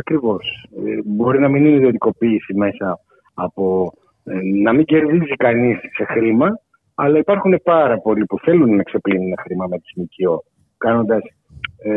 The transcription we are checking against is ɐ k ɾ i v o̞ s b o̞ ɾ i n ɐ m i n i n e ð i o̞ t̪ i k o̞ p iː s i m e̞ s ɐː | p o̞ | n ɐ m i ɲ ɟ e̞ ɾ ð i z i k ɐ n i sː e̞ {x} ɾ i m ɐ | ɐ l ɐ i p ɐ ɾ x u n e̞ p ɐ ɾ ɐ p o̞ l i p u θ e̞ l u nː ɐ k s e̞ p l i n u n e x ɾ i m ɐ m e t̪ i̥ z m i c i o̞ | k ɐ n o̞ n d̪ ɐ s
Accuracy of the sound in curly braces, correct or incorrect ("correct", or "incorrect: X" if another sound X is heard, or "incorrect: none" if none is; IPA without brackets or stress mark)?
correct